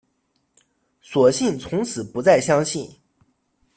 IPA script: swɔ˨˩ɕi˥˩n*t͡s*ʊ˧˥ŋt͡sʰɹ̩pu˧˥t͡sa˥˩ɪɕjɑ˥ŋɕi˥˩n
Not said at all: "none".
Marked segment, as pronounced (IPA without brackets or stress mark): t͡sʰ